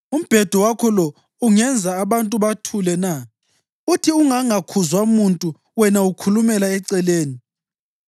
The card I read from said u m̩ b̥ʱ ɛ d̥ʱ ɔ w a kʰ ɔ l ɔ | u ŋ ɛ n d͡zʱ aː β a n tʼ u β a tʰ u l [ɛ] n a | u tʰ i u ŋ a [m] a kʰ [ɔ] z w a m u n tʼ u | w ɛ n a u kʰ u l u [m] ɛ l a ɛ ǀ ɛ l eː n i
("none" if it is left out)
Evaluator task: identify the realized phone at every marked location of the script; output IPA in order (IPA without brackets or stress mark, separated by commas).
ɛ, ŋ, u, m